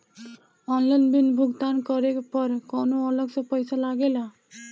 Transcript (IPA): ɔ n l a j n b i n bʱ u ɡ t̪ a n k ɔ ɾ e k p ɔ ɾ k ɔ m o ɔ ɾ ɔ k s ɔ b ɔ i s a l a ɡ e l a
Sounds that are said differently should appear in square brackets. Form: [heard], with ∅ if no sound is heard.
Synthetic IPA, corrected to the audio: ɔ n l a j n b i n bʱ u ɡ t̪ a n k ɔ ɾ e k p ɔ ɾ k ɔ [n] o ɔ [l] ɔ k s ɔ [p] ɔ [j] s a l a ɡ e l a